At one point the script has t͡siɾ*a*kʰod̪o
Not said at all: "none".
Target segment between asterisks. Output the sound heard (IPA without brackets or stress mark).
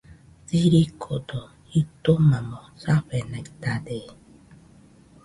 i